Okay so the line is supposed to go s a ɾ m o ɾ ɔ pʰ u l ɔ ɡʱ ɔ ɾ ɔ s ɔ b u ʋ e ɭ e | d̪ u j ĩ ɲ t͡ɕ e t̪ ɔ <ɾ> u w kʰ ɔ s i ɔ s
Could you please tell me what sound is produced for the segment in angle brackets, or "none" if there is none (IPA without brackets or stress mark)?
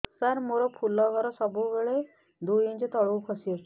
ɭ